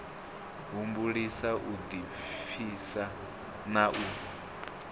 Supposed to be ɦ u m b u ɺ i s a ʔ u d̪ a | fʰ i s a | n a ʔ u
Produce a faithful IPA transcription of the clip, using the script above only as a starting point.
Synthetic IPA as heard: ɦ u m b u ɺ i s a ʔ u d̪ i | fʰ i s a | n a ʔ u